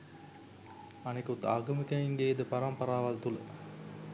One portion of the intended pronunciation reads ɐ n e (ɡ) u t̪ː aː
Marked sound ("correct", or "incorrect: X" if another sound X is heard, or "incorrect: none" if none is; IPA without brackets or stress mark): incorrect: k